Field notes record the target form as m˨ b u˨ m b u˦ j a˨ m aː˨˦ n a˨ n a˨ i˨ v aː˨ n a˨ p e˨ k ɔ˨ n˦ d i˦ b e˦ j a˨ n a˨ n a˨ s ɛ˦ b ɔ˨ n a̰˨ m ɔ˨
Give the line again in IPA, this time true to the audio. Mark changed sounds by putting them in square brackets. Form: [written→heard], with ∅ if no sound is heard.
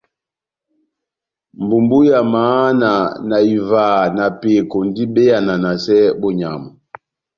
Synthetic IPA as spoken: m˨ b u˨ m b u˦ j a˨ m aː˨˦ n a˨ n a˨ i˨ v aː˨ n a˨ p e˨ k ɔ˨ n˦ d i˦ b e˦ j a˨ n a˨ n a˨ s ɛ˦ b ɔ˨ [n→ɲ] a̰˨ m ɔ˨